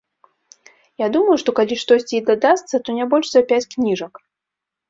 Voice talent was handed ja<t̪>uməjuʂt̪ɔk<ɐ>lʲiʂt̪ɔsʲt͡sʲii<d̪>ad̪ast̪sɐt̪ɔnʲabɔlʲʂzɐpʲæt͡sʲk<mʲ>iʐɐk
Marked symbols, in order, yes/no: no, no, yes, no

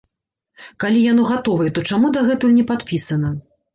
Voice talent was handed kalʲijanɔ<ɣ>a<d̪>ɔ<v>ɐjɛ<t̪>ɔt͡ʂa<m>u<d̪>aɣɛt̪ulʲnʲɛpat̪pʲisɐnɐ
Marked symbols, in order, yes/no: yes, no, yes, yes, yes, yes

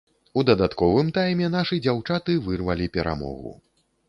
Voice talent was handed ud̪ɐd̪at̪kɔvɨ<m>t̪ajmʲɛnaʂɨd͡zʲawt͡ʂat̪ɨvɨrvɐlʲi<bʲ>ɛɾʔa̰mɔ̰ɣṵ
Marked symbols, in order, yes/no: yes, no

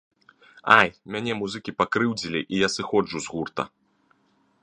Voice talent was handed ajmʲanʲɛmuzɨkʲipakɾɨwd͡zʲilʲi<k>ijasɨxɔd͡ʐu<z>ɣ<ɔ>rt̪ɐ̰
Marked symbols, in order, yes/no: no, yes, no

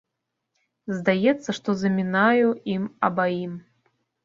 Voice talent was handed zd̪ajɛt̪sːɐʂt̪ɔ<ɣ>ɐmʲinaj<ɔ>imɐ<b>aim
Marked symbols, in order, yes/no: no, no, yes

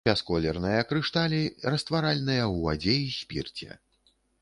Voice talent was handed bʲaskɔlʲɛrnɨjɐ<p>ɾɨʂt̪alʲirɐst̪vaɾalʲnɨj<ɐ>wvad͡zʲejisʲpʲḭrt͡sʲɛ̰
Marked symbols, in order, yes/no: no, yes

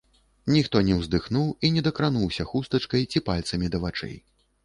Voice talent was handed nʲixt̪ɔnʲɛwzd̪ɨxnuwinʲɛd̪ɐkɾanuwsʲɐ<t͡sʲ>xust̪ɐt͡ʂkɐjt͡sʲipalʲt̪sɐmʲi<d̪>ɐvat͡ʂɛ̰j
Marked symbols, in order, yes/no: no, yes

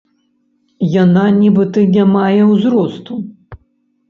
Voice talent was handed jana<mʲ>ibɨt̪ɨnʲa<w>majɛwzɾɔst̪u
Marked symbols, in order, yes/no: no, no

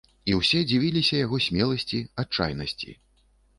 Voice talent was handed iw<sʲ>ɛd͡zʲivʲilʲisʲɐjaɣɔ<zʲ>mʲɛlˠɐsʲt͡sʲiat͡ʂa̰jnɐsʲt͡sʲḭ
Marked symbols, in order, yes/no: yes, no

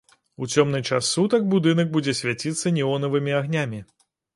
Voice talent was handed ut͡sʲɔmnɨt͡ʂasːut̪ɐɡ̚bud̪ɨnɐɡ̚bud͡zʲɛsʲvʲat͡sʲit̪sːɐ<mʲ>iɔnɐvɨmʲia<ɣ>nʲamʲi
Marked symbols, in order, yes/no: no, yes

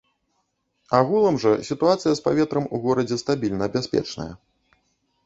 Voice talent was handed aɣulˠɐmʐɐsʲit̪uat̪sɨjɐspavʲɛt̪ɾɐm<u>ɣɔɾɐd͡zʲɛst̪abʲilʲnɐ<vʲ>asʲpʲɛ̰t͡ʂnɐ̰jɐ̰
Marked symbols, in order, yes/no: yes, no

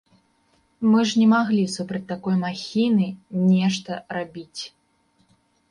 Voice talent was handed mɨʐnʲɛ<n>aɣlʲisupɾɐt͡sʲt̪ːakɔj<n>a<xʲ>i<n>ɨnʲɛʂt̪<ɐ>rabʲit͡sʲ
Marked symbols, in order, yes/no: no, no, yes, yes, yes

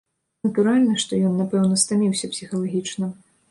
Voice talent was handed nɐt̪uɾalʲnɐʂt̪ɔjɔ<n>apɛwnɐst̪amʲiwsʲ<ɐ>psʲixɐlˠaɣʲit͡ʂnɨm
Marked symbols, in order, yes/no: no, yes

